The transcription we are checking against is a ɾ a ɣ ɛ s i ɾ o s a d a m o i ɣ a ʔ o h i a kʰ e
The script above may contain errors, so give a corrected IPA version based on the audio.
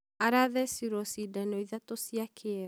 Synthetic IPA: a ɾ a ð ɛ s i ɾ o s i d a n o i ð a t o s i a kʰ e